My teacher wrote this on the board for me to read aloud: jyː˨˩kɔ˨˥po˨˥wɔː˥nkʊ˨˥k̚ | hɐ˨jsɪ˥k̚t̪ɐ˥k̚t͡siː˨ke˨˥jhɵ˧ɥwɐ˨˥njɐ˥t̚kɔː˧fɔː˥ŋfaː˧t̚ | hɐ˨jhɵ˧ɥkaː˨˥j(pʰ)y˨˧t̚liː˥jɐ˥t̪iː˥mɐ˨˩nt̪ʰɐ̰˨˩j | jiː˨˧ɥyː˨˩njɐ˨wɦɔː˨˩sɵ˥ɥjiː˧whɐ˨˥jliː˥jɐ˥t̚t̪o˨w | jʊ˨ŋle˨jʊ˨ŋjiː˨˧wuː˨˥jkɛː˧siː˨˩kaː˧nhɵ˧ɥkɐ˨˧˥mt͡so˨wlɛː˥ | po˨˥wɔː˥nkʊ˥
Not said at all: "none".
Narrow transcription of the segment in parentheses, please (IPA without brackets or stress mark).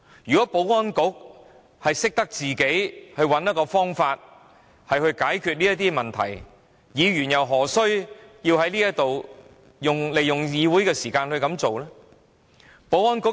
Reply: kʰ